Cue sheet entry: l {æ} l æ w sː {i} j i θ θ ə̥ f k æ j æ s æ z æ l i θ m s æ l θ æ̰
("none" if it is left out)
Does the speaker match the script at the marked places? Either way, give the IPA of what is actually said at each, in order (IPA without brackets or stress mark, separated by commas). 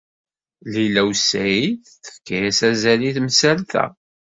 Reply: i, æ